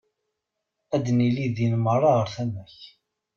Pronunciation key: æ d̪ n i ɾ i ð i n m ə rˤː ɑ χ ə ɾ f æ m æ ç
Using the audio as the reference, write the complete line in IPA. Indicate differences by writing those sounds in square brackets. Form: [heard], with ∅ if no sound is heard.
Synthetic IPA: æ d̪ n i [l] i ð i n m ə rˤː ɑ [ʁ] ə ɾ [θ] æ m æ ç